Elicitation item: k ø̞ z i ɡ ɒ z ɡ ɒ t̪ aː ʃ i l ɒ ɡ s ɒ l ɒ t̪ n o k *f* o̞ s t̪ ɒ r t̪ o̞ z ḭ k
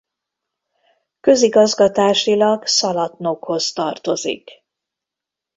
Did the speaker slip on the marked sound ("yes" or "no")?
yes